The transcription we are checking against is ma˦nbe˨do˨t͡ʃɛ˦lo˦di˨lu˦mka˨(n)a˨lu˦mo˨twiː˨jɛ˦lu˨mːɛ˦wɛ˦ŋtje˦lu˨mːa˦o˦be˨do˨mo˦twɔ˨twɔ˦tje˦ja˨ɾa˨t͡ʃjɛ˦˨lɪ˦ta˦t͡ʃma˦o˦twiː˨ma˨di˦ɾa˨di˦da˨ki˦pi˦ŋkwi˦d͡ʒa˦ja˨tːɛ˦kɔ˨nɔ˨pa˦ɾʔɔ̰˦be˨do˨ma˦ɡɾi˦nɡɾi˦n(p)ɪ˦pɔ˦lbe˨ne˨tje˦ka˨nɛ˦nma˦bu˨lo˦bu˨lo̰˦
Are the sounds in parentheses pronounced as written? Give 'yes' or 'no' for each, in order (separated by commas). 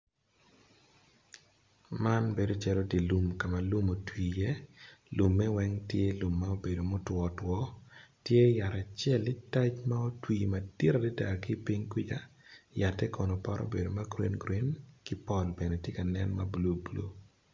no, no